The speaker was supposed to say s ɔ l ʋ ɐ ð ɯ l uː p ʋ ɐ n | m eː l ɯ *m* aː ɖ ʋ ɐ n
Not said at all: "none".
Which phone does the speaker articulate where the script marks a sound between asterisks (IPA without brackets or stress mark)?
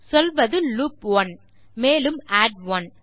m